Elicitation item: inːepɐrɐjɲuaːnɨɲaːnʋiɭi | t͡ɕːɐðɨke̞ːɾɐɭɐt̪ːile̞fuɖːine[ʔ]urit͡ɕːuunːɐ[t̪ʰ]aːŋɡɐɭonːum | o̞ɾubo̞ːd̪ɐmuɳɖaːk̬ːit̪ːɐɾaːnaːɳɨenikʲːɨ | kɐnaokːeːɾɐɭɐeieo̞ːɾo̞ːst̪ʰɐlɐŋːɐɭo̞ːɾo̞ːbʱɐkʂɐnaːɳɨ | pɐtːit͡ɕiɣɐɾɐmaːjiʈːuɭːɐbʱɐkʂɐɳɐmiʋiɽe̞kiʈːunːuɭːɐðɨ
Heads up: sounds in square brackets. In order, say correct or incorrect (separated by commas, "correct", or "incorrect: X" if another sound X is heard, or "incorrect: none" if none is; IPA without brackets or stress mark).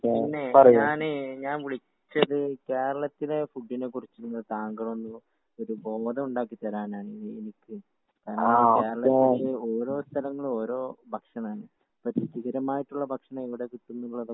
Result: incorrect: k, incorrect: t̪